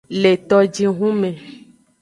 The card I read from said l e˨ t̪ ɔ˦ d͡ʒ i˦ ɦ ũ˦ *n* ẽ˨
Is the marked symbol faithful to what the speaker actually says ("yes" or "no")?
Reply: no